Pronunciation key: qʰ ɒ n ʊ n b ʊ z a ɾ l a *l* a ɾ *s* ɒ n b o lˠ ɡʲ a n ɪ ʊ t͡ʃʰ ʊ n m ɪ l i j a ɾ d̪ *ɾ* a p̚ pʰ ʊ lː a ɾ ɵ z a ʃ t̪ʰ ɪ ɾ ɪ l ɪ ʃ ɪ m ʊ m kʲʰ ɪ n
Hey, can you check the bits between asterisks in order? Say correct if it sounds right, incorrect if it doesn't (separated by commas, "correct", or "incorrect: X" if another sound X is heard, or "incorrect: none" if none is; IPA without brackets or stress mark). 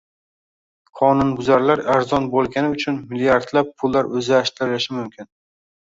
incorrect: ɾ, incorrect: z, incorrect: l